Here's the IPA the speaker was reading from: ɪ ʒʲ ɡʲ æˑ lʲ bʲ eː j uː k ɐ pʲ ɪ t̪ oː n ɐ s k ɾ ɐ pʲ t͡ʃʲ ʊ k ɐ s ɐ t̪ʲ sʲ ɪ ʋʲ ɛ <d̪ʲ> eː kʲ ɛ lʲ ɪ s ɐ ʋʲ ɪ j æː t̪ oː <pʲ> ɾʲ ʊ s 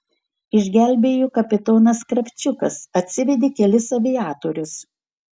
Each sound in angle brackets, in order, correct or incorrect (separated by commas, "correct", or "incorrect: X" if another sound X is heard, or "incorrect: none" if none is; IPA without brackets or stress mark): correct, incorrect: none